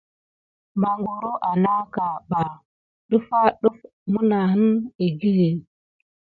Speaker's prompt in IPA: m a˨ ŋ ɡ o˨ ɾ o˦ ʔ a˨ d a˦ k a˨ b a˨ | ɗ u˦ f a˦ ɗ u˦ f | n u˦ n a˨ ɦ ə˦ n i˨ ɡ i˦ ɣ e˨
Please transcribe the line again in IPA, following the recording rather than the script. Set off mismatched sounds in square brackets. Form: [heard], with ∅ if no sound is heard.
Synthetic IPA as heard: m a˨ ŋ ɡ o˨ ɾ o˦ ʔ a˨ [n] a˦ k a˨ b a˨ | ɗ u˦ f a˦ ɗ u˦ f | [m] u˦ n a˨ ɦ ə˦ n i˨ ɡ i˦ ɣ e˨